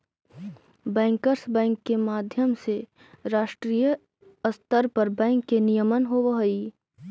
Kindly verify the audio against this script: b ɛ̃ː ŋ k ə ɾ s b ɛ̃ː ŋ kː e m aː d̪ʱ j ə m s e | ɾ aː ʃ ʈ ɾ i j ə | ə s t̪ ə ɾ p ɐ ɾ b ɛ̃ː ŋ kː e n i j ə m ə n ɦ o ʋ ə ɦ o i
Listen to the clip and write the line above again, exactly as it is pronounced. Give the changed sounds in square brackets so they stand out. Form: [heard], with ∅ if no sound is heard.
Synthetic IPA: b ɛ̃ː ŋ k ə ɾ s b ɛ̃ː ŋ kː e m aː d̪ʱ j ə m s e | ɾ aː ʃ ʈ ɾ i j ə | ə s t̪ ə ɾ p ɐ ɾ b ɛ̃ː ŋ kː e n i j ə m ə n ɦ o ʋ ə ɦ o i